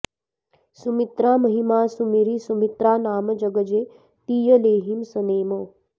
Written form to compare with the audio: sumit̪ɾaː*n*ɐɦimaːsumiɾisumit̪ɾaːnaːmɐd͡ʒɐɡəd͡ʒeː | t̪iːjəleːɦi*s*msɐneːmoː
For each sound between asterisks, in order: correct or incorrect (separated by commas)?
incorrect, incorrect